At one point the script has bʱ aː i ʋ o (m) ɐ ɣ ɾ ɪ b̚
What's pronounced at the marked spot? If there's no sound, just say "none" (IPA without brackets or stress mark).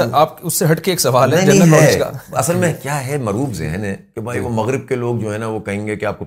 m